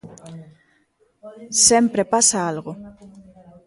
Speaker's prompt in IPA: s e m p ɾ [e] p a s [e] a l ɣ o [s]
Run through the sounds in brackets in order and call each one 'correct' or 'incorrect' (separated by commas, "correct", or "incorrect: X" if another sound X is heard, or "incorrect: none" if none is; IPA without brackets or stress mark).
correct, incorrect: a, incorrect: none